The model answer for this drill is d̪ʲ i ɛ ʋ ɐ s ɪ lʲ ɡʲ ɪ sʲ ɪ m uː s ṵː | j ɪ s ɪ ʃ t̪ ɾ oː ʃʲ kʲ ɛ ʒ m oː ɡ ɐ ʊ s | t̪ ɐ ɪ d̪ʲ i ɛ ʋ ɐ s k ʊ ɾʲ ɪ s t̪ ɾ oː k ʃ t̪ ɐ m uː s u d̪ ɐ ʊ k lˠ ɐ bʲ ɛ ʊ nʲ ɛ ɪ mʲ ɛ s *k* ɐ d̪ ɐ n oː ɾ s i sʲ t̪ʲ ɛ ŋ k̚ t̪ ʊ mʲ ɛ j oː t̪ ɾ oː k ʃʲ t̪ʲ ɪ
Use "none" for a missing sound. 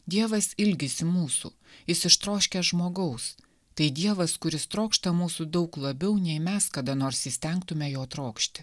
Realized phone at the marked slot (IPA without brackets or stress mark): k